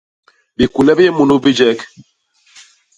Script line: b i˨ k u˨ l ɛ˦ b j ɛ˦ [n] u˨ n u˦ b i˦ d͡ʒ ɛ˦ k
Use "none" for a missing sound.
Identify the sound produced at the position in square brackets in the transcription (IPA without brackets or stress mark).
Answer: m